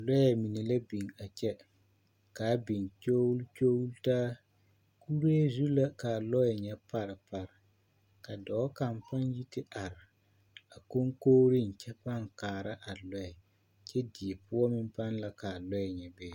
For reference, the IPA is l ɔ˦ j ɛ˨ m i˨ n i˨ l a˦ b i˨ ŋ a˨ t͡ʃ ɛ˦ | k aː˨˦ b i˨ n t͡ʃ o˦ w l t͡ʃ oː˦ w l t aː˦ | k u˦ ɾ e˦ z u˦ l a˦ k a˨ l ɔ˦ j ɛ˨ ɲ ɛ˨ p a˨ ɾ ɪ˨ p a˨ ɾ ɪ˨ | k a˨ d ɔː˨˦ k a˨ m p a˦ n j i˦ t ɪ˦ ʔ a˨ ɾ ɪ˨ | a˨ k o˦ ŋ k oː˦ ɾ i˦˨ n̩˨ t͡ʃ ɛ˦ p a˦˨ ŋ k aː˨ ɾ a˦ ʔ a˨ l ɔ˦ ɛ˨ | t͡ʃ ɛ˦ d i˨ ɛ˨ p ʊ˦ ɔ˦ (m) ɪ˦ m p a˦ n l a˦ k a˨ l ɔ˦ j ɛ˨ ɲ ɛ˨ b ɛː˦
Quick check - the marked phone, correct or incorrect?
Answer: correct